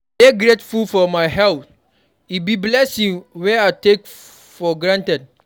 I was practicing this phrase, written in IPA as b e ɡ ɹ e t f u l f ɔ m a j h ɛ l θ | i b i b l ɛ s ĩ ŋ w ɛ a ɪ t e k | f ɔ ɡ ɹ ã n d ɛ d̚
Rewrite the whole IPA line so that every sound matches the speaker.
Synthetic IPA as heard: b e ɡ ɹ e t f u l f ɔ m a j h ɛ l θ | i b i b l ɛ s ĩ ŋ w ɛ a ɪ t e k | f ɔ ɡ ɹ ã n t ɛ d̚